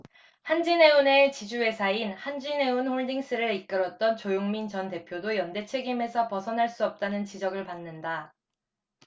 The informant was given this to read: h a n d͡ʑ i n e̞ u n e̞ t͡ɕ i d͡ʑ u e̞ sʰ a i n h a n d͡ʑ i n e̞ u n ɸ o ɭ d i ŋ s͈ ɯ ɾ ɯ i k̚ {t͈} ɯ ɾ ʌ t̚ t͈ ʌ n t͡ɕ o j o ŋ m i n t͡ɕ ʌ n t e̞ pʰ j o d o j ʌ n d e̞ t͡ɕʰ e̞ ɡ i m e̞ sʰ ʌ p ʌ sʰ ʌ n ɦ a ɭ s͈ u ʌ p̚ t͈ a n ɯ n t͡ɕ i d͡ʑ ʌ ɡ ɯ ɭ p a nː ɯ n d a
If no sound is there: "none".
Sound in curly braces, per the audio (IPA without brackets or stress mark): k͈